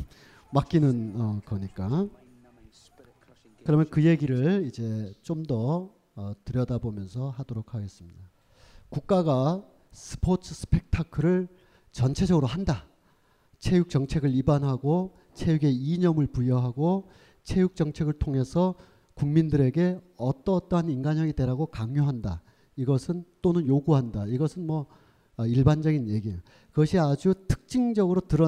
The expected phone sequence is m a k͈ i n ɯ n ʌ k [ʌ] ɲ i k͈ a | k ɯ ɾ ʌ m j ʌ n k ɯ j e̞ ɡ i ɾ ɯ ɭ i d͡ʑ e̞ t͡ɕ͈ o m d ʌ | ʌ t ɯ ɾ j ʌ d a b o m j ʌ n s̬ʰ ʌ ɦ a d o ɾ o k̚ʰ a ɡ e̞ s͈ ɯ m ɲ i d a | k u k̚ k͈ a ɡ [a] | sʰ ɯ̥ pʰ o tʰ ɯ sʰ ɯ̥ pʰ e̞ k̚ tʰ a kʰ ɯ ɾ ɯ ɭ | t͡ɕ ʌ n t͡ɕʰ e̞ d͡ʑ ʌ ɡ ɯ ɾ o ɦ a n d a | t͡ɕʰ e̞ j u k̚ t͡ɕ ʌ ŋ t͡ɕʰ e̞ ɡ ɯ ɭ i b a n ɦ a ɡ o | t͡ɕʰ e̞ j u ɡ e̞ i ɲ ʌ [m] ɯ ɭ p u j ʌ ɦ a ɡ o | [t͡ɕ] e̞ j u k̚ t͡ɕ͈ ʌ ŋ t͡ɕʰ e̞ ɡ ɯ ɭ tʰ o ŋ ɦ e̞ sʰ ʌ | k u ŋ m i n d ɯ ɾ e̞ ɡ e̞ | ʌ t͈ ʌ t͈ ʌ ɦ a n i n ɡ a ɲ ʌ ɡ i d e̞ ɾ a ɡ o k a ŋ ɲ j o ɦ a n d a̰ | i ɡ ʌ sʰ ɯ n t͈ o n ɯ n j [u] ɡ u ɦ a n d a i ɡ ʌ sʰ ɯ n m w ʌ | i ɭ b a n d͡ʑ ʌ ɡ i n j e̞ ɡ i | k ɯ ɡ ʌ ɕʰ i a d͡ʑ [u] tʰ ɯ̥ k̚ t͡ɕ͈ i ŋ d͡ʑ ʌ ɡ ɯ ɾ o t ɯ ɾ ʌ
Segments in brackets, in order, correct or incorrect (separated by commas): correct, correct, correct, incorrect, incorrect, correct